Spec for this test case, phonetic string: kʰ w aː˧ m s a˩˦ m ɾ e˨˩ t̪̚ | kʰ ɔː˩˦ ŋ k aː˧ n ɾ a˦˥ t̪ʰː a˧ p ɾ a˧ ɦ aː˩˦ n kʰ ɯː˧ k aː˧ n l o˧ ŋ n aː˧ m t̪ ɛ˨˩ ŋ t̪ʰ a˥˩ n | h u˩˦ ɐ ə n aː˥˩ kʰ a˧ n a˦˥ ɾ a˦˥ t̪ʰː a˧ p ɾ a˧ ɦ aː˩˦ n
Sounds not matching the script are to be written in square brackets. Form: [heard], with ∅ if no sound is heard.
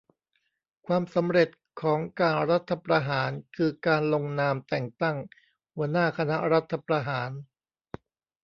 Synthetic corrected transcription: kʰ w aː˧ m s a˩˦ m ɾ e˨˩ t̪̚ | kʰ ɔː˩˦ ŋ k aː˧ n ɾ a˦˥ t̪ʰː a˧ p ɾ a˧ ɦ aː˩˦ n kʰ ɯː˧ k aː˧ n l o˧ ŋ n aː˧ m t̪ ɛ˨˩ ŋ [t̪] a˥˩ [ŋ] | h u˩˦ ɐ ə n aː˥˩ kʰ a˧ n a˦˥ ɾ a˦˥ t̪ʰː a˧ p ɾ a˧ ɦ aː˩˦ n